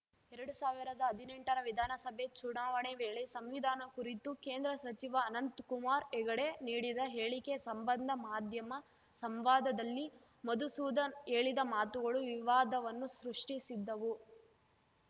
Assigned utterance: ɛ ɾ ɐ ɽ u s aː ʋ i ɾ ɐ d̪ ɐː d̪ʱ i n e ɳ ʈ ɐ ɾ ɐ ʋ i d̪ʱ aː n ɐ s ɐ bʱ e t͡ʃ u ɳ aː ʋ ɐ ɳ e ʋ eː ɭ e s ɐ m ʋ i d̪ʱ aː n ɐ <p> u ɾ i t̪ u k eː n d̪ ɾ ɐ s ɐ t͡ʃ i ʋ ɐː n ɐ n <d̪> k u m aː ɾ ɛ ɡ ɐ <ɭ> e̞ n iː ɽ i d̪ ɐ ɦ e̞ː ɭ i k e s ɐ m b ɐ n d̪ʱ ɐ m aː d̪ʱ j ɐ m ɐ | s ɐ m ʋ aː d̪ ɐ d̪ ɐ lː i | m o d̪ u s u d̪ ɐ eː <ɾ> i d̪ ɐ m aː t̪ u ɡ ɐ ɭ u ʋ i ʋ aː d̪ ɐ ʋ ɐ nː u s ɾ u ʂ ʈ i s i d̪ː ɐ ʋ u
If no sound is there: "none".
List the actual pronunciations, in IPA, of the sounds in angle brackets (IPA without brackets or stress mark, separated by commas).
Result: k, t̪, ɽ, ɭ